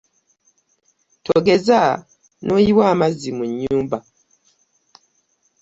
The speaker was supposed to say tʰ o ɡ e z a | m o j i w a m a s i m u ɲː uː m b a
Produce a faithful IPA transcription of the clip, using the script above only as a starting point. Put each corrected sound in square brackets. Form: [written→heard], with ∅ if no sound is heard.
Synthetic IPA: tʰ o ɡ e z a | [m→n] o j i w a m a [s→z] i m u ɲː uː m b a